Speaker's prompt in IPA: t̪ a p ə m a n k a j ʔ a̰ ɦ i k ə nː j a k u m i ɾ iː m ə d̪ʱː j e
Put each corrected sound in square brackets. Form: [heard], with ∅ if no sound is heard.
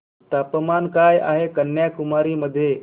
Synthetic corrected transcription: t̪ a p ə m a n k a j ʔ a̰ ɦ [e] k ə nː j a k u m [a] ɾ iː m ə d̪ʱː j e